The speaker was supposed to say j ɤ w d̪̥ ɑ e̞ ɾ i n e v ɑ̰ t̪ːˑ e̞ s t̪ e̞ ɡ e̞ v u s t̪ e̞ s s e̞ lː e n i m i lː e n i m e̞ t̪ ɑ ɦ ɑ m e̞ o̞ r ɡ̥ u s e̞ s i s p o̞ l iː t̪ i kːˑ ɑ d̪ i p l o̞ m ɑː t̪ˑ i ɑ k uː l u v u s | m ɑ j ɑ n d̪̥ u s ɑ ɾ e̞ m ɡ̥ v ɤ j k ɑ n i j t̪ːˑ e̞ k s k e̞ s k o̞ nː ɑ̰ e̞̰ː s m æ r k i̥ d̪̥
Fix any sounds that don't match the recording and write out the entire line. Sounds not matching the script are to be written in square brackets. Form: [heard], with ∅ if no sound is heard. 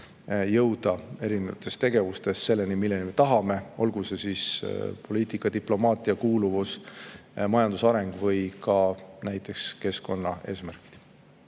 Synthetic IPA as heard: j ɤ w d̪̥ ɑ e̞ ɾ i n e v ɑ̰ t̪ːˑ e̞ s t̪ e̞ ɡ e̞ v u s t̪ e̞ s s e̞ lː e n i m i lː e n i m e̞ t̪ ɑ ɦ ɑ m e̞ o̞ [l] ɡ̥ u s e̞ s i s p o̞ l iː t̪ i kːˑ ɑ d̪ i p l o̞ m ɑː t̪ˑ i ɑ k uː l u v u s | m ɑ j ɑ n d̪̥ u s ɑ ɾ e̞ [ŋ] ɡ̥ v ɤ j k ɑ n [æ] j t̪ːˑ e̞ k s k e̞ s k o̞ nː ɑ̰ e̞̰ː s m æ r k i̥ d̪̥